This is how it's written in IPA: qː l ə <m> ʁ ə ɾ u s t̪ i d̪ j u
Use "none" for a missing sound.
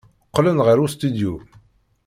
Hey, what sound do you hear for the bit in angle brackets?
n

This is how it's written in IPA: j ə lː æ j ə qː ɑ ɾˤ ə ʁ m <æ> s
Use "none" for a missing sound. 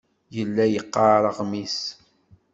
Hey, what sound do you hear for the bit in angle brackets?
i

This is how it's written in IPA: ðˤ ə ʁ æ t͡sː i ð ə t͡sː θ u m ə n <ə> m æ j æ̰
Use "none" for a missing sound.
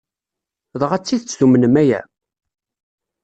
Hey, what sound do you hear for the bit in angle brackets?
ə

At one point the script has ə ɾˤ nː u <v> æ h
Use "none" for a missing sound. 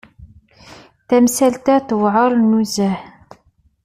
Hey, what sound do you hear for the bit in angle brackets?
z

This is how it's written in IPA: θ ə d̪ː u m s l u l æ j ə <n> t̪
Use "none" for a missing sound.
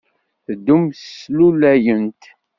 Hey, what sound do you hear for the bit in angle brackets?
n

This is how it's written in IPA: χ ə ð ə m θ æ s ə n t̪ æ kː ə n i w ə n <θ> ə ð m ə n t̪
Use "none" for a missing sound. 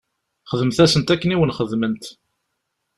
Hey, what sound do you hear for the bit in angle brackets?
χ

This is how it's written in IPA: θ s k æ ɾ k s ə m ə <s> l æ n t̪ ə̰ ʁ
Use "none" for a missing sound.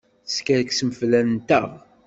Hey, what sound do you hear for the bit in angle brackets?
f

